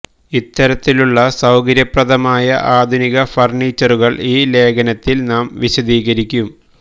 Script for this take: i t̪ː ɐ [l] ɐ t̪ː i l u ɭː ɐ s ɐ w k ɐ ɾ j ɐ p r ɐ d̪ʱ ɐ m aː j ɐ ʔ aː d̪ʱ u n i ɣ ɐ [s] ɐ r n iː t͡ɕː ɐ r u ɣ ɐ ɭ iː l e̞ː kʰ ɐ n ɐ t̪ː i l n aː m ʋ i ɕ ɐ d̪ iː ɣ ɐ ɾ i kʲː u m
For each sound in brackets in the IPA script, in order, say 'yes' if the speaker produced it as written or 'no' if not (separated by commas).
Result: no, no